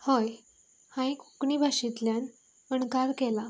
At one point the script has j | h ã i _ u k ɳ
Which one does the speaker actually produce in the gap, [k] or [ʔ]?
k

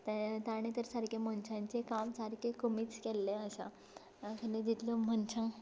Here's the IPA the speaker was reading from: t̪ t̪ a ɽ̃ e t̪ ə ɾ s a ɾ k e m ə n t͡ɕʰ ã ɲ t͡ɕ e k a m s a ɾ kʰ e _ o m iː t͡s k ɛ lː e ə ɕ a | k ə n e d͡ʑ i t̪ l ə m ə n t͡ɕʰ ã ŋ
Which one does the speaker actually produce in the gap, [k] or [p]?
k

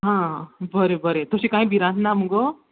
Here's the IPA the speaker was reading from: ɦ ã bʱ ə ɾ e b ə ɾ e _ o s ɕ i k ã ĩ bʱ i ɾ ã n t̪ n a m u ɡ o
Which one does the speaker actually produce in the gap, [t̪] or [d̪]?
t̪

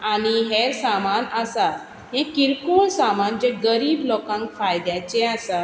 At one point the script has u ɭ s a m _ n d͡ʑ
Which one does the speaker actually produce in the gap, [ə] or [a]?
a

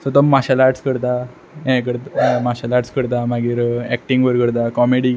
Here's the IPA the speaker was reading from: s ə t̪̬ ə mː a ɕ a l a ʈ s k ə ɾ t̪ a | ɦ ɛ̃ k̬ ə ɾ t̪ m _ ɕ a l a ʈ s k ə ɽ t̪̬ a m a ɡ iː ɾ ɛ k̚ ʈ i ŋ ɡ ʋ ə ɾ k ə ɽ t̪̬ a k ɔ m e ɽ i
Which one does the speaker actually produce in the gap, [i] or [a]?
a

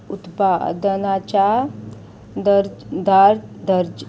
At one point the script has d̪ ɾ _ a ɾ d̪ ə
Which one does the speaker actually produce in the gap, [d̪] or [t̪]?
d̪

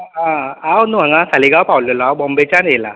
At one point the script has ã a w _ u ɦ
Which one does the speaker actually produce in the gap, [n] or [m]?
n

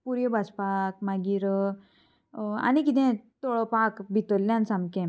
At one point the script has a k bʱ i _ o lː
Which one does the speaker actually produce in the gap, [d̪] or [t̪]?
t̪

